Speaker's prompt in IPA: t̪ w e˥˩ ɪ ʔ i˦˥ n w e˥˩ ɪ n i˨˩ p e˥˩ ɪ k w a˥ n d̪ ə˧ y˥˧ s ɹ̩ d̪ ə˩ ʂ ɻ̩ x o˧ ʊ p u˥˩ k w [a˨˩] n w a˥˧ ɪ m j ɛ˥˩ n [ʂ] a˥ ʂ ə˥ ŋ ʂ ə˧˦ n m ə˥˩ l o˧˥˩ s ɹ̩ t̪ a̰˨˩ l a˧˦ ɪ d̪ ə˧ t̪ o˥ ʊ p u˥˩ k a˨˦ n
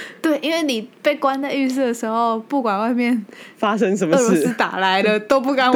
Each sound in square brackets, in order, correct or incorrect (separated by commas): correct, incorrect